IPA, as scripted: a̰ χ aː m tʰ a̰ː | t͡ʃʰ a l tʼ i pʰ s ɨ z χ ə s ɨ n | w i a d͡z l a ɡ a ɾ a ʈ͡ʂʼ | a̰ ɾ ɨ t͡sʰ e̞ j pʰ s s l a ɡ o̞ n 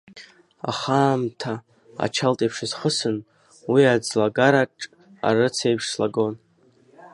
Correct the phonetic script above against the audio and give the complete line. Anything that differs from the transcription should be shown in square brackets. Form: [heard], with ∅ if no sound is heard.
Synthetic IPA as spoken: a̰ χ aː m tʰ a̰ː | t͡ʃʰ a l tʼ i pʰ [ʂ] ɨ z χ ə s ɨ n | w i a d͡z l a ɡ a ɾ a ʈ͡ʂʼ | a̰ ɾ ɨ t͡sʰ e̞ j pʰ [ʂ] s l a ɡ o̞ n